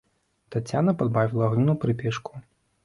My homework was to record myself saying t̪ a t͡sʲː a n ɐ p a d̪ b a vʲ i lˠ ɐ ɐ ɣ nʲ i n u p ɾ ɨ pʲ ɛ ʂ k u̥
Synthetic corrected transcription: t̪ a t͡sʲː a n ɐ p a d̪ b a vʲ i lˠ ɐ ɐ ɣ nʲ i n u p ɾ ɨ pʲ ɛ ʂ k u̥